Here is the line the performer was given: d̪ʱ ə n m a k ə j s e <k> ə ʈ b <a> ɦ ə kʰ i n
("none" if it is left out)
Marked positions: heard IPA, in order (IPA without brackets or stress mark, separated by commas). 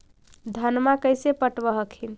p, ə